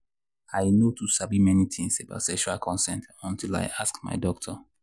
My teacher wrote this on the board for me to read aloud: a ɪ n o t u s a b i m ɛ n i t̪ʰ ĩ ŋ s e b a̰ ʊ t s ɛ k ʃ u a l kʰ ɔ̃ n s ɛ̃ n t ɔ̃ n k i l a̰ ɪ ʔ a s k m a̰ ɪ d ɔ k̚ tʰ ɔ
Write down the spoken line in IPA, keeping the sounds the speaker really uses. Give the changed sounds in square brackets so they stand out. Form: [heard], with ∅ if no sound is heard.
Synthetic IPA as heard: a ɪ n o t u s a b i m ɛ n i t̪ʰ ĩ ŋ s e b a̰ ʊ t s ɛ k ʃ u a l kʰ ɔ̃ n s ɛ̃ n t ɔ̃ n [t] i l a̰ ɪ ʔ a s k m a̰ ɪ d ɔ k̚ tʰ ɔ